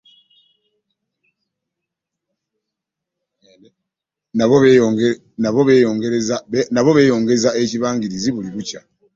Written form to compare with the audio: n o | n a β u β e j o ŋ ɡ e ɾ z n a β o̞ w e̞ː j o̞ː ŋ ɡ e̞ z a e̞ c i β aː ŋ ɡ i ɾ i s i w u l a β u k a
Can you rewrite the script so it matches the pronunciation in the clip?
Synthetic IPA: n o | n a β o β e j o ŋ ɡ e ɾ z n a β o̞ β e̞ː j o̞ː ŋ ɡ e̞ z a e̞ c i β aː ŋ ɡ i ɾ i z i β u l i β u c a

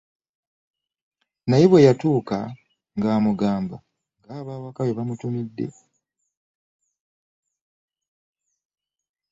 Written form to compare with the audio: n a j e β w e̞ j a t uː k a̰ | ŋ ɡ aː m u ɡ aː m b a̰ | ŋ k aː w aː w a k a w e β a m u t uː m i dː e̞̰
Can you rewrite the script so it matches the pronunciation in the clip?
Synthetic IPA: n a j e β w e̞ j a t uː k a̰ | ŋ ɡ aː m u ɡ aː m b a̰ | ŋ ɡ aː β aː w a k a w e β a m u t u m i dː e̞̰

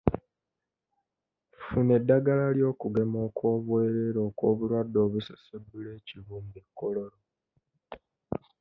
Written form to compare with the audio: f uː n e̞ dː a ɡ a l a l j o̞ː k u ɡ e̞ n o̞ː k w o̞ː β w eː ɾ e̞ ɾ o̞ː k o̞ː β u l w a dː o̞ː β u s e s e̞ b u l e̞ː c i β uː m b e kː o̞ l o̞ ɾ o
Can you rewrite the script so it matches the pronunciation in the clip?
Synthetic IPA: f u n e̞ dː a ɡ a l a l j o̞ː k u ɡ e̞ m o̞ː k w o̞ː β w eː ɾ e̞ ɾ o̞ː k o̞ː β u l w a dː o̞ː β u s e s e̞ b u l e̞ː c i β uː m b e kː o̞ l o̞ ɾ o

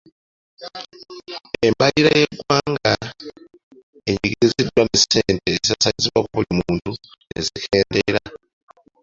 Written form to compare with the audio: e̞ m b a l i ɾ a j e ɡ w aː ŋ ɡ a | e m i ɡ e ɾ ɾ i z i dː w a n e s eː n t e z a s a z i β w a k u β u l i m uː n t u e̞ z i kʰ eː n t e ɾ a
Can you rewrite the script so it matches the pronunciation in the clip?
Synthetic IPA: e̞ m b a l i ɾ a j e ɡ w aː ŋ ɡ a | e ɲ i ɡ i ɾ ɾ i z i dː w a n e s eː n t e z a s a z i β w a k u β u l i m uː n t u e̞ z i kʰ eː n d e ɾ a

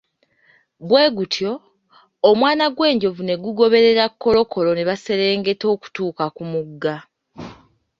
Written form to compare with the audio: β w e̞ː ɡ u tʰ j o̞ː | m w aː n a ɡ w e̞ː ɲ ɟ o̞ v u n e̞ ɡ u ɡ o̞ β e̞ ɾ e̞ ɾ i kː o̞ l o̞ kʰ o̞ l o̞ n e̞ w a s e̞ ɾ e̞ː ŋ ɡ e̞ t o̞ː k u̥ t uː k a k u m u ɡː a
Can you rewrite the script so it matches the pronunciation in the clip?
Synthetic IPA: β w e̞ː ɡ u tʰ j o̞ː | m w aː n a ɡ w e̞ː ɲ ɟ o̞ v u n e̞ ɡ u ɡ o̞ β e̞ ɾ e̞ ɾ a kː o̞ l o̞ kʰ o̞ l o̞ n e̞ β a s e̞ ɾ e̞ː ŋ ɡ e̞ t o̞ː k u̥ t uː k a k u m u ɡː a

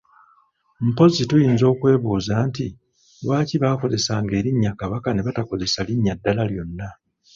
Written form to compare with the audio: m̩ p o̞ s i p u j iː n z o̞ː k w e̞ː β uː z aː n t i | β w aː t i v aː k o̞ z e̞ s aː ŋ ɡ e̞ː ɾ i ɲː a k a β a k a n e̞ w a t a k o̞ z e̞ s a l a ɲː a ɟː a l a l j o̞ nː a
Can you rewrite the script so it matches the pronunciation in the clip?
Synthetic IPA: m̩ p o̞ z i t u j iː n z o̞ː k w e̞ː β uː z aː n t i | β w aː c i β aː k o̞ z e̞ s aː ŋ ɡ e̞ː ɾ i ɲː a k a β a k a n e̞ β a t a k o̞ z e̞ s a l i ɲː a dː a l a l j o̞ nː a

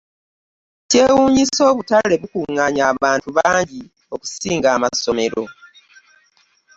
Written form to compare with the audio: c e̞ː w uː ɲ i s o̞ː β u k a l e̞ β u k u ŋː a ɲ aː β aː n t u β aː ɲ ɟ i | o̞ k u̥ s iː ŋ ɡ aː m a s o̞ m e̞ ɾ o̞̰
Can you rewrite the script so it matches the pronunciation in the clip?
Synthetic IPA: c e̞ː w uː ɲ i s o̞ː β u t a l e̞ β u k u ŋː a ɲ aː β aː n t u β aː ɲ ɟ i | o̞ k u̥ s iː ŋ ɡ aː m a s o̞ m e̞ ɾ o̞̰

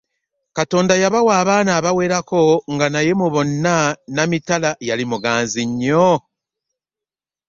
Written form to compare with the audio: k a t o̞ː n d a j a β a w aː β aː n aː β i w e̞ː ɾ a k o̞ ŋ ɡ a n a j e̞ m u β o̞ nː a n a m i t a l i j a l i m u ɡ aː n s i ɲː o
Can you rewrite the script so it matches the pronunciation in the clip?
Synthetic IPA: k a t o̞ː n d a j a β a w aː β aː n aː β a w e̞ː ɾ a k o̞ ŋ ɡ a n a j e̞ m u β o̞ nː a n a m i t a l a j a l i m u ɡ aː n z i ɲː o

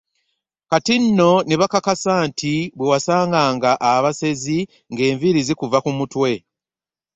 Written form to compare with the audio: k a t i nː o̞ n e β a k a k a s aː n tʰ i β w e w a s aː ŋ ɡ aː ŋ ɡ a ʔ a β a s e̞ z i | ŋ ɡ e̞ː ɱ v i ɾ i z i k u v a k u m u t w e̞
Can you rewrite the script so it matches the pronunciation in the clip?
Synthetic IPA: k a t i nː o̞ n e β a k a k a s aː n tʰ i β w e w a s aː ŋ ɡ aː ŋ ɡ a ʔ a β a s e̞ z i | ŋ ɡ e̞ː ɱ v i ɾ i z i k u v a k u m u t w e̞

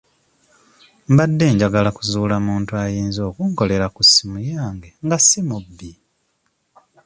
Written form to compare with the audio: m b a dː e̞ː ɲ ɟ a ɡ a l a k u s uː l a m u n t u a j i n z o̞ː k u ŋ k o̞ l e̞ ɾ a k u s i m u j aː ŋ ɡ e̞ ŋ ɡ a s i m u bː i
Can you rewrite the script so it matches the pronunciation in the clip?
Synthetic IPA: m b a dː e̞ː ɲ ɟ a ɡ a l a k u z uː l a m uː n t u a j iː n z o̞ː k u ŋ k o̞ l e̞ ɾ a k u s i m u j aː ŋ ɡ e̞ ŋ ɡ a s i m u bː i

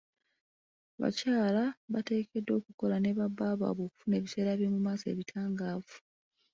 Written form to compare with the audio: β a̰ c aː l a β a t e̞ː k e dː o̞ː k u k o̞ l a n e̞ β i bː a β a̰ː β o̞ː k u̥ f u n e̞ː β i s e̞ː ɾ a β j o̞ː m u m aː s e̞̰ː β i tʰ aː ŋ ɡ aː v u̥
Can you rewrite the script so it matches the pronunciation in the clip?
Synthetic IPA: β a̰ c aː l a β a t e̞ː k e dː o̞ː k u k o̞ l a n e̞ β a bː a β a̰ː β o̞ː k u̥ f u n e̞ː β i s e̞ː ɾ a β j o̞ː m u m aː s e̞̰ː β i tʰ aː ŋ ɡ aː v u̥

